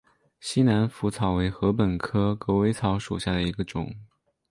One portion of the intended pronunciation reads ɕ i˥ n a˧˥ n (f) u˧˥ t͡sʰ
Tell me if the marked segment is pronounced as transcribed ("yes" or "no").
yes